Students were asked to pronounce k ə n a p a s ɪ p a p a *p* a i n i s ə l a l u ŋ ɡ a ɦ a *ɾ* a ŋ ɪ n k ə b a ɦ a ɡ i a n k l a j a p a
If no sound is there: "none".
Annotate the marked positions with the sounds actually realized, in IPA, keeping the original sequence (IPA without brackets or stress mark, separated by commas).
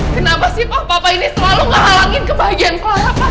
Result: p, l